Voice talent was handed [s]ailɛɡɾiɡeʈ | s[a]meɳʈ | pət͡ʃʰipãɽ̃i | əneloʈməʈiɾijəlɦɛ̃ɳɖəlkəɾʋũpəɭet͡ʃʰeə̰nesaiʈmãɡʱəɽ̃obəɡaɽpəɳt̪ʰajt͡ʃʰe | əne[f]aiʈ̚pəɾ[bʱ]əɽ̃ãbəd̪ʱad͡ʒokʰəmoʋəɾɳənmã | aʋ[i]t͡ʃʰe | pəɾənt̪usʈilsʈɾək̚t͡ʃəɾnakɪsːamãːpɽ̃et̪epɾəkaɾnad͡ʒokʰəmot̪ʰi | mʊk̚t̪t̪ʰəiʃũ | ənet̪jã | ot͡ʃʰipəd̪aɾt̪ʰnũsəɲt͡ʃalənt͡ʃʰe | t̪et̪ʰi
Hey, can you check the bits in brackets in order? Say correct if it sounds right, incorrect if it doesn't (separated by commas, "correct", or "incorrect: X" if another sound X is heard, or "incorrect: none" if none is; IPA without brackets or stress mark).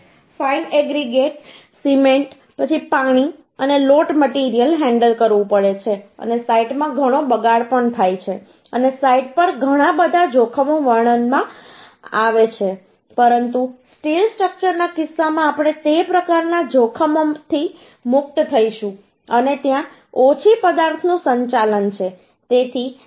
incorrect: f, incorrect: i, incorrect: s, incorrect: ɡʱ, incorrect: e